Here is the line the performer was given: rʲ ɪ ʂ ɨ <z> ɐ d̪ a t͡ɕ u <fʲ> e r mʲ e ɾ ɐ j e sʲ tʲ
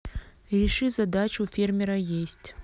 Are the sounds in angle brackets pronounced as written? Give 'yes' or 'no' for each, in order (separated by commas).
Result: yes, yes